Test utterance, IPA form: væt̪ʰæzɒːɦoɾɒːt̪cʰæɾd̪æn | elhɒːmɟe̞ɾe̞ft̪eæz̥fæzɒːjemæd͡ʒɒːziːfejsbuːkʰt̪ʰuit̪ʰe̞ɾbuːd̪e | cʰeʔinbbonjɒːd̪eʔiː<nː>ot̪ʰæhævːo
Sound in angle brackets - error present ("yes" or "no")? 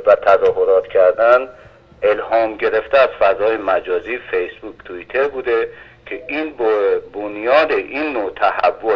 no